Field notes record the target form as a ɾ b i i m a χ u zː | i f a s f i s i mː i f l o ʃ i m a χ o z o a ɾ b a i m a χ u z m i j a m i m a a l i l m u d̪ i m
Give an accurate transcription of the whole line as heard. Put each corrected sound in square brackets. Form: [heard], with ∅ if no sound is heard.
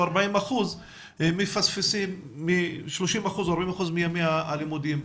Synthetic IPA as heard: a ɾ b [a] i m a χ u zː | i f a s f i s i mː i [ʃ] l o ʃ i m a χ [u] z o a ɾ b a i m a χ u z m i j a m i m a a l i [∅] m u d̪ i m

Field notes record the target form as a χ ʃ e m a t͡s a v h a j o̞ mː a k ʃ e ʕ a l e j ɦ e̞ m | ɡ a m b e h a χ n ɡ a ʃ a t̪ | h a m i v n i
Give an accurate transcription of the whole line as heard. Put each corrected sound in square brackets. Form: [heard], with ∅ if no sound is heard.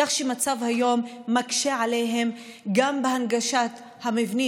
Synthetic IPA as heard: a χ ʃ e m a t͡s a v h a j o̞ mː a k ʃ e ʕ a l e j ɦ e̞ m | ɡ a m b e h a [∅] n ɡ a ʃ a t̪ | h a m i v n i

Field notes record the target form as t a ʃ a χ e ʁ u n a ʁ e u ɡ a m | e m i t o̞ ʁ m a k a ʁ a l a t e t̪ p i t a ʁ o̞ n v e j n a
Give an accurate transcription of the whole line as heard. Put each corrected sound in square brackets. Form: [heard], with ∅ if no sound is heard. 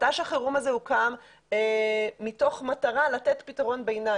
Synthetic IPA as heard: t a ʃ a χ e ʁ u [m] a [z] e u [k] a m | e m i t o̞ [χ] m a [t] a ʁ a l a t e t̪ p i t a ʁ o̞ n [b] e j n a

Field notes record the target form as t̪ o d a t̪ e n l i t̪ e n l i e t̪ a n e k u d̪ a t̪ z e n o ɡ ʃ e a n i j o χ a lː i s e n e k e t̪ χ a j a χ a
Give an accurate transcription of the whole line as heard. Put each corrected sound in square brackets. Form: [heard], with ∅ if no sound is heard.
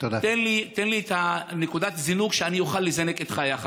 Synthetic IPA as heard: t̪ o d a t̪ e n l i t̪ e n l i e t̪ a n e k u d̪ a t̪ z [i] n [u] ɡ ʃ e a n i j o χ a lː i [z] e n e k e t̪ χ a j a χ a

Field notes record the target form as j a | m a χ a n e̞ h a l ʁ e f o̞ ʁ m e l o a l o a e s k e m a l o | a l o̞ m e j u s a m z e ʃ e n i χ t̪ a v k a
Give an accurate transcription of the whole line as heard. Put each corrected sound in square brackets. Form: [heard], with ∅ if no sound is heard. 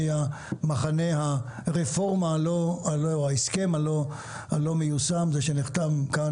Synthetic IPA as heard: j a | m a χ a n e̞ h a [∅] ʁ e f o̞ ʁ m [a] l o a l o a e s k e m a l o | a l o̞ m e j u s a m z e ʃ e n i χ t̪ a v k a

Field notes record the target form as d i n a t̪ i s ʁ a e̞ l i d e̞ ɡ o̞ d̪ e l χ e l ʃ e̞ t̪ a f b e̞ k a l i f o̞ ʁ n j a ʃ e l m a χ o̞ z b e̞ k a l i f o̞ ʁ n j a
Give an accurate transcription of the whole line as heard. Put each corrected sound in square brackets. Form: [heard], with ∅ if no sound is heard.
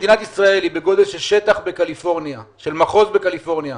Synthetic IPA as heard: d i n a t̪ i s ʁ a e̞ l i [b] e̞ ɡ o̞ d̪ e l [ʃ] e l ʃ e̞ t̪ a [χ] b e̞ k a l i f o̞ ʁ n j a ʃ e l m a χ o̞ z b e̞ k a l i f o̞ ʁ n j a

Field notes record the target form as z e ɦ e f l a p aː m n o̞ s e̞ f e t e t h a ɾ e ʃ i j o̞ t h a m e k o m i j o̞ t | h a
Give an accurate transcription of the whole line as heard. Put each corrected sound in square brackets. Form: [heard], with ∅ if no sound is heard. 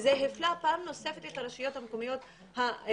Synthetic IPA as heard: z e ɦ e f l a p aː m n o̞ s e̞ f e t e t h a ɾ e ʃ i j o̞ t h a m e k o m i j o̞ t | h a

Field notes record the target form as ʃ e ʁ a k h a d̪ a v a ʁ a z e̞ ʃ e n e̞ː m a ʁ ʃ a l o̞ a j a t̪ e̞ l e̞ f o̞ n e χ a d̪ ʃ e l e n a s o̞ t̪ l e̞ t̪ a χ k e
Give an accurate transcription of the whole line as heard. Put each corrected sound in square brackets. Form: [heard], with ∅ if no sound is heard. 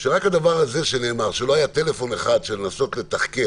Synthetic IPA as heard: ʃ e ʁ a k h a d̪ a v a ʁ a z e̞ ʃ e n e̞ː m a ʁ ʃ [e] l o̞ a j a t̪ e̞ l e̞ f o̞ n e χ a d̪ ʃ e l e n a s o̞ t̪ l e̞ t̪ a χ k e

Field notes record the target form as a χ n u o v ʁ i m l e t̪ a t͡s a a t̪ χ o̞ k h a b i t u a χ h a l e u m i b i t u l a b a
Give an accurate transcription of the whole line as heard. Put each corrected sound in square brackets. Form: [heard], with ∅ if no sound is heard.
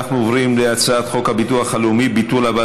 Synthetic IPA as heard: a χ n u o v ʁ i m l e [∅] a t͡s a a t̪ χ o̞ k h a b i t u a χ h a l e u m i b i t u l a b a

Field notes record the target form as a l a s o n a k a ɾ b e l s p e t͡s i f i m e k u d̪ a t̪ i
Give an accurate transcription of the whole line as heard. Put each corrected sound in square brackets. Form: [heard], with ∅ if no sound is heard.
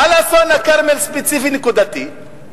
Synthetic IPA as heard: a l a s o n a k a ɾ [m] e l s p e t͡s i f i [n] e k u d̪ a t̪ i

